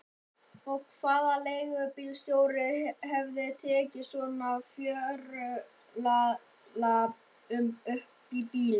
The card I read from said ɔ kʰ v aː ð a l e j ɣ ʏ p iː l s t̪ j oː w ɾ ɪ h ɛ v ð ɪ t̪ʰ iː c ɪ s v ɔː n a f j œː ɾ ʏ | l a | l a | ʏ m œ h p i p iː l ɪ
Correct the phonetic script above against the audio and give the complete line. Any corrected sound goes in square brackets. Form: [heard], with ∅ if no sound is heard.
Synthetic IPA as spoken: ɔ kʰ v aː ð a l e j ɣ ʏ p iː l s t̪ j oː w ɾ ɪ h ɛ v ð ɪ t̪ʰ [ɛː] c ɪ s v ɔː n a f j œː ɾ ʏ | l a | l a | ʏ m œ h p i p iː l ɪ